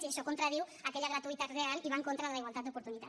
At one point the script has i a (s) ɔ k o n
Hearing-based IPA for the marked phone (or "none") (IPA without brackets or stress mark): ʃ